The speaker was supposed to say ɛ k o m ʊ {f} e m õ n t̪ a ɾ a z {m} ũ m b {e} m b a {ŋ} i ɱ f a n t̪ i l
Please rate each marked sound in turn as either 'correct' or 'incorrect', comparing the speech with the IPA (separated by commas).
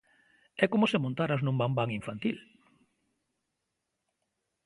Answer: incorrect, incorrect, incorrect, correct